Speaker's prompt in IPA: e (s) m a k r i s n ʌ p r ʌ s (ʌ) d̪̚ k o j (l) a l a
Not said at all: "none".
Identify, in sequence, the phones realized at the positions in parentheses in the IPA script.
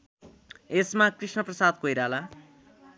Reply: s, a, ɾ

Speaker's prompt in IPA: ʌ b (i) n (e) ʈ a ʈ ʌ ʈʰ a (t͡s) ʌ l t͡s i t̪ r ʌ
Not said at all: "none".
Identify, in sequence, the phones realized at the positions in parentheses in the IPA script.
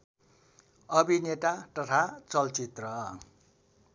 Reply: i, e, t͡s

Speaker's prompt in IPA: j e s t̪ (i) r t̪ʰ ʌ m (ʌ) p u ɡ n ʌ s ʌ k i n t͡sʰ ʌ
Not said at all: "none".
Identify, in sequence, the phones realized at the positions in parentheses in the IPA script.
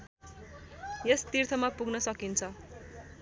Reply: i, a

